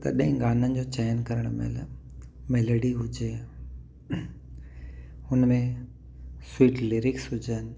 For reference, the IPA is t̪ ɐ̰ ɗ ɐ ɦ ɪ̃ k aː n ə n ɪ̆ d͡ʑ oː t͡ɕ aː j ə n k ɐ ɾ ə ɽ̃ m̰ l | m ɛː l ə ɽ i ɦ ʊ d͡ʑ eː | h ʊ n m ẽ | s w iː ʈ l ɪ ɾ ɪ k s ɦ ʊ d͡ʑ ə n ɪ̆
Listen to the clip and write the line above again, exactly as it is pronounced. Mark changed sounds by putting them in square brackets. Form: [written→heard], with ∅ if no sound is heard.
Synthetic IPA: t̪ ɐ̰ ɗ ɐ ɦ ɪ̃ [k→ɡ] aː n ə n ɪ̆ d͡ʑ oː t͡ɕ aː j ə n k ɐ ɾ ə ɽ̃ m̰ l | m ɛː l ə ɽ i ɦ ʊ d͡ʑ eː | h ʊ n m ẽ | s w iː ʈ l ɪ ɾ ɪ k s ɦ ʊ d͡ʑ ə n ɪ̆